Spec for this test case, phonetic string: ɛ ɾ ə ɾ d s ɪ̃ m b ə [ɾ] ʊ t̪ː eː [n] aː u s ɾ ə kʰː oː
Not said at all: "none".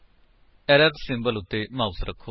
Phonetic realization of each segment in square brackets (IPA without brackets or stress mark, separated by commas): l, m